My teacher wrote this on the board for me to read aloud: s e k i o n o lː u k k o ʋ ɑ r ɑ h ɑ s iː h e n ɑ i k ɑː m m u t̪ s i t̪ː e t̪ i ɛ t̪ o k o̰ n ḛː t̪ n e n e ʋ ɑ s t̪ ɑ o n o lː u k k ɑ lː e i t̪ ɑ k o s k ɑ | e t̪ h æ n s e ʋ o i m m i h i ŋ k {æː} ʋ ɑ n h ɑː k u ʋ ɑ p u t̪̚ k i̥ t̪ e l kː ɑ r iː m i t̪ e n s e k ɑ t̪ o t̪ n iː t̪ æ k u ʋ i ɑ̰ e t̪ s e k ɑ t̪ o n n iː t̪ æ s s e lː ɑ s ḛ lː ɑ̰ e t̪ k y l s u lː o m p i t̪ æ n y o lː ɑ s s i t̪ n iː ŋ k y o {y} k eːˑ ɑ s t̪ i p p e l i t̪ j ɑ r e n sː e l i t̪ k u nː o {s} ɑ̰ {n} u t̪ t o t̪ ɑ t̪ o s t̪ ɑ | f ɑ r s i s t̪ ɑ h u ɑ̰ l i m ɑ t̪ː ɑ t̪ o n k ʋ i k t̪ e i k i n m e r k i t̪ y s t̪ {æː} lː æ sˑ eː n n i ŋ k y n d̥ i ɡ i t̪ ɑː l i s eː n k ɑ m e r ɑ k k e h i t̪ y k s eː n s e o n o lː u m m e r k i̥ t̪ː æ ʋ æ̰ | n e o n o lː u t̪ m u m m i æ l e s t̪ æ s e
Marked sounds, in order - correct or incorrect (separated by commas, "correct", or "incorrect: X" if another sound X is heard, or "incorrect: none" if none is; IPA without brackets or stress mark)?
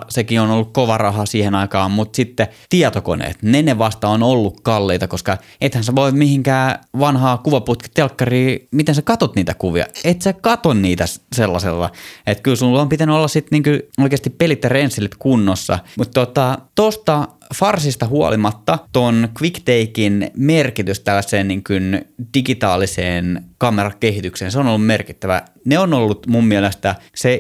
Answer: correct, incorrect: i, incorrect: sː, incorrect: m, incorrect: æ